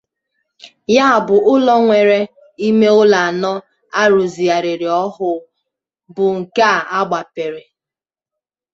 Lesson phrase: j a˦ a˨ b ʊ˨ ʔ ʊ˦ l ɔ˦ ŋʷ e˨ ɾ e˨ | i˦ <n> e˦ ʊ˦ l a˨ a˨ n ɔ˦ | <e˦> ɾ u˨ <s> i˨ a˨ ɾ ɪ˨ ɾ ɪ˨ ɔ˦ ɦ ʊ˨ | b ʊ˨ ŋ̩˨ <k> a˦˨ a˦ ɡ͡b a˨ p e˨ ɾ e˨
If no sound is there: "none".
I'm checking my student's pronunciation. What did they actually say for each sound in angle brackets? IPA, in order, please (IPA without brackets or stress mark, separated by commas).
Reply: m, a˦, z, k